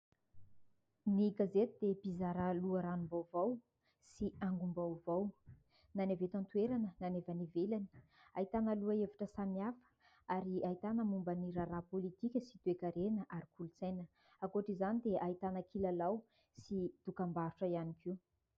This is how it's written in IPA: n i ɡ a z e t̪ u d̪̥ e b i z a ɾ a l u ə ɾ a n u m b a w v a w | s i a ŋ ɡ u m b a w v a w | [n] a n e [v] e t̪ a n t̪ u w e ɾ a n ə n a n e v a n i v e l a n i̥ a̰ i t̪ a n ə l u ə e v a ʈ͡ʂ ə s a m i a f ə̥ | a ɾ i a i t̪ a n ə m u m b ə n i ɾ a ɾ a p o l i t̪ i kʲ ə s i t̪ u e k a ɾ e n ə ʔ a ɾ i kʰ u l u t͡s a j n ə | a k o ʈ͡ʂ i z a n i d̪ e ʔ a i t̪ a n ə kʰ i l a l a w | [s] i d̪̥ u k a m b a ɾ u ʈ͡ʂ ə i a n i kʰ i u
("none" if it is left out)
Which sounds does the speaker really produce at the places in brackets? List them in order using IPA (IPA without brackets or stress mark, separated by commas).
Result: n, v, s